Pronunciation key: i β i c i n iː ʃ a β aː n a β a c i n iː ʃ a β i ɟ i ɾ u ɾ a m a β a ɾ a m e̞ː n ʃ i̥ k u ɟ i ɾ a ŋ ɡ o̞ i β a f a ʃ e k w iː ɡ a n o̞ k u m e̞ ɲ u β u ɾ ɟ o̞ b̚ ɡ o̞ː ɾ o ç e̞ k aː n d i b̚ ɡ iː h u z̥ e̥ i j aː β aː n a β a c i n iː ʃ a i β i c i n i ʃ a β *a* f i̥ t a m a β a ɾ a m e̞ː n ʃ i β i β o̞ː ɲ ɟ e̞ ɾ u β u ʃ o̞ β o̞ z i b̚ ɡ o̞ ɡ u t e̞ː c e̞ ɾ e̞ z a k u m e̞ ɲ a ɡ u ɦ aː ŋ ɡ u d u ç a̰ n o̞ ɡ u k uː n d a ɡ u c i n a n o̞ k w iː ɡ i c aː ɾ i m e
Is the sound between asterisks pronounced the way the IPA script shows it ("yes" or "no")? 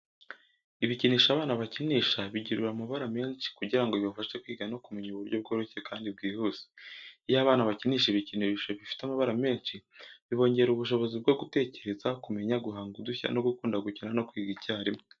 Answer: no